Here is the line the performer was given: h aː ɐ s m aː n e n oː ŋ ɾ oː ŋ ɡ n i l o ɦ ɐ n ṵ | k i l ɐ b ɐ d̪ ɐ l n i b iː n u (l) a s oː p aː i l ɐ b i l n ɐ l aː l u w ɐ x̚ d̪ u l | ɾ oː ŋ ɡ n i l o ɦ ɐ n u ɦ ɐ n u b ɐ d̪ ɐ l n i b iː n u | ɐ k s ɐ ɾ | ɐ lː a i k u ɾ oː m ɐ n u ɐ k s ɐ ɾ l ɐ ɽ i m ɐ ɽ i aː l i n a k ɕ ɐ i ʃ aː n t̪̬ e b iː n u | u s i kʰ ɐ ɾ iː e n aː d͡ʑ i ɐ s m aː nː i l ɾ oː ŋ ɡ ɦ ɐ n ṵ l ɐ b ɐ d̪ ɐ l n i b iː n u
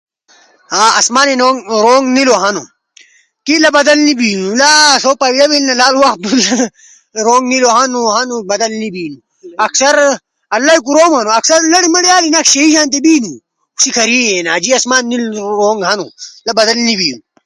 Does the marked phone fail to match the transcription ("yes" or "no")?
no